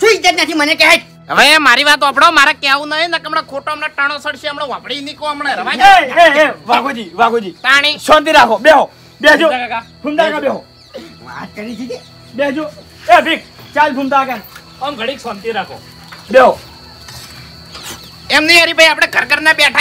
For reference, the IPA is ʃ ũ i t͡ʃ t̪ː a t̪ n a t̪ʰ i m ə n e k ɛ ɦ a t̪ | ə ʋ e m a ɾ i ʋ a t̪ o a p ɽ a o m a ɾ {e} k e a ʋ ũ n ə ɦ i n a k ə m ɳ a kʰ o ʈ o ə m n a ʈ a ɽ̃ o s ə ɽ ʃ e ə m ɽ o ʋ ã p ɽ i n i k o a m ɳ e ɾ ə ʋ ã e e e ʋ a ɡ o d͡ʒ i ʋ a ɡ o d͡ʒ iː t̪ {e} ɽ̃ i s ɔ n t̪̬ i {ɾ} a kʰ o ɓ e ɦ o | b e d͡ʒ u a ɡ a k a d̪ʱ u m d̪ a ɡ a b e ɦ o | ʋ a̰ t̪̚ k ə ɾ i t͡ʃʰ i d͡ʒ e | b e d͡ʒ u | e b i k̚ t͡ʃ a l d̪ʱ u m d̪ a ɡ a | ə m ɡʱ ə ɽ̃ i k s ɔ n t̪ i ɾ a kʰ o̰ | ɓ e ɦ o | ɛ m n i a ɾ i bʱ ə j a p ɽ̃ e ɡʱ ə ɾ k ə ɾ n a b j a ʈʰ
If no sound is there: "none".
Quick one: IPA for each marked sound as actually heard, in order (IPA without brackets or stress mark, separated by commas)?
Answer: a, a, ɾ